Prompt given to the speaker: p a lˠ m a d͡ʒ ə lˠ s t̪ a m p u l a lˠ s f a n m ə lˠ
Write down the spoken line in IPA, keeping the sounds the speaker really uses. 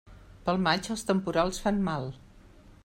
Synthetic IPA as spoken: p ə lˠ m a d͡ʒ ə lˠ s t̪ ə m p u ɾ a lˠ s f a n m a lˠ